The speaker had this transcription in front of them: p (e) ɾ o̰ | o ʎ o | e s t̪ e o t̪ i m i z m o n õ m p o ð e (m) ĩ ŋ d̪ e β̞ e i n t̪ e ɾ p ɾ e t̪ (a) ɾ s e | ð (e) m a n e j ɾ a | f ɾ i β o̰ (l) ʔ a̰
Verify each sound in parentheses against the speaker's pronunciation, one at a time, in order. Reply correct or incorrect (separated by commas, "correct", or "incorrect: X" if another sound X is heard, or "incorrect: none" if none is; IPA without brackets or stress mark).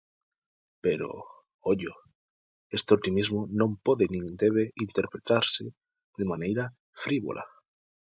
correct, incorrect: n, correct, correct, correct